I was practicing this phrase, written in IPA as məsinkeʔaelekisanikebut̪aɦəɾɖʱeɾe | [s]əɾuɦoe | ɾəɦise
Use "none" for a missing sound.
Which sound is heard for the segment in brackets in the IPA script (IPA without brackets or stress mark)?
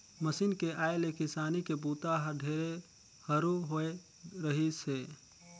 h